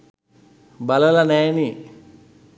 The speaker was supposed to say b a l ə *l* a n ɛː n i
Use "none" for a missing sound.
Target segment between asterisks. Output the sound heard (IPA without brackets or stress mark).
l